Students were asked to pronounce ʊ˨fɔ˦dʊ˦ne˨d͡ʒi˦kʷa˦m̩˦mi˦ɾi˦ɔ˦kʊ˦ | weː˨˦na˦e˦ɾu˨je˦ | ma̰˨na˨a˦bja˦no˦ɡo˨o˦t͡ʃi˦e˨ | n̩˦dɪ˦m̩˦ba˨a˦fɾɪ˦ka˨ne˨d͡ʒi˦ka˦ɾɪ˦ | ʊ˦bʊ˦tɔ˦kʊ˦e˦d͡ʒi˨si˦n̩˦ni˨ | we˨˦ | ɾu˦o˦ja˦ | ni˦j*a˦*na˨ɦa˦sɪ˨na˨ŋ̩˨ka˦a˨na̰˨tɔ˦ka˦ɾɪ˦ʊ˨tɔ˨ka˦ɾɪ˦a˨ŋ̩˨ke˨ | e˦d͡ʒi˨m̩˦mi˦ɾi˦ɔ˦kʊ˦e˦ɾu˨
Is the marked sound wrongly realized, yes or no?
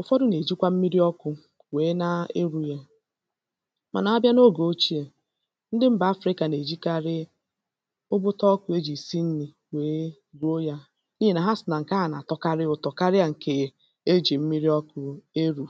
yes